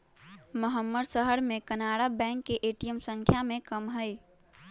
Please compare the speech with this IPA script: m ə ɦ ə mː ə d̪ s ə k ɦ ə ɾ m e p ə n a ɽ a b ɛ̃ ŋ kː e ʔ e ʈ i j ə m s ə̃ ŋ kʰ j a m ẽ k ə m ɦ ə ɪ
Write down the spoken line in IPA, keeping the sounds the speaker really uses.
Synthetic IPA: m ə ɦ ə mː ə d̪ s ə ɦ ə ɾ m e k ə n a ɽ a b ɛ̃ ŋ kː e ʔ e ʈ i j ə m s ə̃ ŋ kʰ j a m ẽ k ə m ɦ ə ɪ